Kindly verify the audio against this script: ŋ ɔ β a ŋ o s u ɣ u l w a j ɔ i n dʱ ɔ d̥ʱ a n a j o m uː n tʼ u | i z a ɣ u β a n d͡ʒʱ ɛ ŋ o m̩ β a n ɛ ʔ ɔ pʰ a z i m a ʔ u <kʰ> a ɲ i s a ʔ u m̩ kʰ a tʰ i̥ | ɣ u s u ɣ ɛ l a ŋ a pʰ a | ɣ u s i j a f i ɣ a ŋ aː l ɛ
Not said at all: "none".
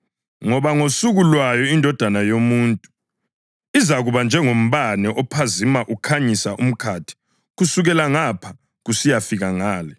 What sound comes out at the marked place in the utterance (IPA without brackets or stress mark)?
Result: kʰ